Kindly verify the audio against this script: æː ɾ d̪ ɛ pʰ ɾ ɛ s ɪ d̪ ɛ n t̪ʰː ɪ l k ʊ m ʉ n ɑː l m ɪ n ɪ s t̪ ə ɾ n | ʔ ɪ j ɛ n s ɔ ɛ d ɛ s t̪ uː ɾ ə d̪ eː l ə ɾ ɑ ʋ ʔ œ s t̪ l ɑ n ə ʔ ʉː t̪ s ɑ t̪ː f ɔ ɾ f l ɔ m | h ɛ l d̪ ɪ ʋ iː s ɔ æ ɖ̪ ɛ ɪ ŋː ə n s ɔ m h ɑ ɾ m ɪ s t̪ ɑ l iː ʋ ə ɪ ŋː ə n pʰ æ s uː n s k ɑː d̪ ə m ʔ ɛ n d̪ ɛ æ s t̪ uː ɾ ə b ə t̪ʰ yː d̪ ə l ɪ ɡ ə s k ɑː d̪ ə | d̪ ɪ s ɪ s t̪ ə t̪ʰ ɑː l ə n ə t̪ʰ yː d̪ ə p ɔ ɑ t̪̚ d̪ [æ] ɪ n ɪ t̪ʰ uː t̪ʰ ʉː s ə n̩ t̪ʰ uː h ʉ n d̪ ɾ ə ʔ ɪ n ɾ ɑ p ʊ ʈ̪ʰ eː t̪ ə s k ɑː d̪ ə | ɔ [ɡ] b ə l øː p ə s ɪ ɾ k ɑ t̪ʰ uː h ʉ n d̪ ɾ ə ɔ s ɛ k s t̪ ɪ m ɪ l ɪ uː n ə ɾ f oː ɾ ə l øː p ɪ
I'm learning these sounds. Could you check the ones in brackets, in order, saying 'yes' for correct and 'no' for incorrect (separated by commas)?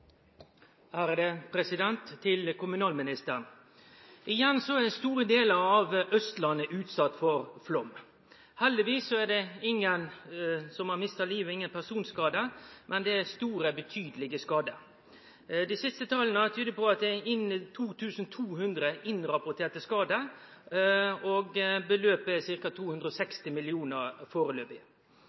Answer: no, yes